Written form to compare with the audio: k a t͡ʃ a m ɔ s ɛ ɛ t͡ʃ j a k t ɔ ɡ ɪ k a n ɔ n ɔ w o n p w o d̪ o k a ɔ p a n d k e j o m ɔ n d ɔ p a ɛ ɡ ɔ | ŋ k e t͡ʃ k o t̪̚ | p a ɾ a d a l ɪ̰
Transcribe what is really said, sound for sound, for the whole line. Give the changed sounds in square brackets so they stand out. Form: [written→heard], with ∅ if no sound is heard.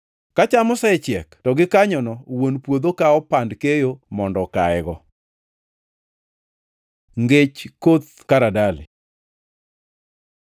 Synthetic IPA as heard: k a t͡ʃ a m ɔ s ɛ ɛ t͡ʃ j [a→ɛ] k t ɔ ɡ ɪ k a [n→ɲ] ɔ n ɔ w o n p w o d̪ o k a ɔ p a n d k e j o m ɔ n d ɔ [p→k] a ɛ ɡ ɔ | ŋ [k→ɡ] e t͡ʃ k o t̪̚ | [p→k] a ɾ a d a l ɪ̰